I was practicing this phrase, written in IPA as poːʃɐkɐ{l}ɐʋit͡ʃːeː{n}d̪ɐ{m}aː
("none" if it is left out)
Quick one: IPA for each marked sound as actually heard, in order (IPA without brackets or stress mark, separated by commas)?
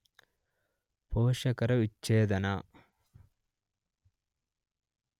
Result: ɾ, none, n